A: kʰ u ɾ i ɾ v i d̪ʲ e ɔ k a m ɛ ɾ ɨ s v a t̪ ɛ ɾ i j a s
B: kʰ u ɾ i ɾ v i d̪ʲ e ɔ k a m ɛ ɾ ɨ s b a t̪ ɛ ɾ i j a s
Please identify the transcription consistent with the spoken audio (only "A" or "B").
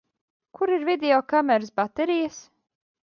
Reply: B